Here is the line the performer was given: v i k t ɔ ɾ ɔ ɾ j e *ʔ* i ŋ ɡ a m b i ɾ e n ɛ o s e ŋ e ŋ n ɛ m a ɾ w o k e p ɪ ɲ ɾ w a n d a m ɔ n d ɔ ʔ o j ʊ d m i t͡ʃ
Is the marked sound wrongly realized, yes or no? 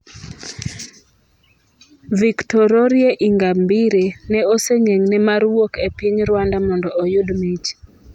no